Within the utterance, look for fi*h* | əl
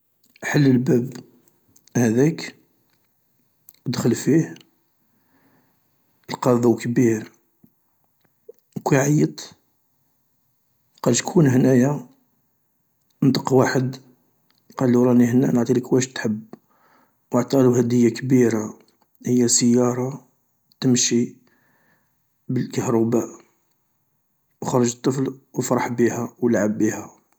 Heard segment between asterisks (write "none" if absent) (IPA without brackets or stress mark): h